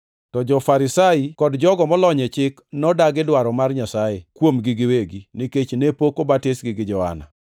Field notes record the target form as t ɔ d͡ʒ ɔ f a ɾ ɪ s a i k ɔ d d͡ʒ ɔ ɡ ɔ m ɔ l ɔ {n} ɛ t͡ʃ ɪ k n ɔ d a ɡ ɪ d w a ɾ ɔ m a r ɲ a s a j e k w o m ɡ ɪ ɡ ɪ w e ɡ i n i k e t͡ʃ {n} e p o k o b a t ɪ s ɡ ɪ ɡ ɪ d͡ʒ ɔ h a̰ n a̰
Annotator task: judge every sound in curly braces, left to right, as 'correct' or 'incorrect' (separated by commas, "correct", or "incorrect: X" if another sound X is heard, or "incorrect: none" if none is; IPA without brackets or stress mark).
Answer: incorrect: ɲ, correct